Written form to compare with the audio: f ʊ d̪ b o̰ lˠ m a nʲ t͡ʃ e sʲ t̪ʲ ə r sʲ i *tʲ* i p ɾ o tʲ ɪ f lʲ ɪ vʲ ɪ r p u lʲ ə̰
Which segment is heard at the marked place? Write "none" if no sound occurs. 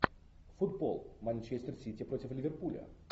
tʲ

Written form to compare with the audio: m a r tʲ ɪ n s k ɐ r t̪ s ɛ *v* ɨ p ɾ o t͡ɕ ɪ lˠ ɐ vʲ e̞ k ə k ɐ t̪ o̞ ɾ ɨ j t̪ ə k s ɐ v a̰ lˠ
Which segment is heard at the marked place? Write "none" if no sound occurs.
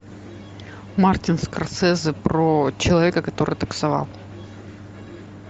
z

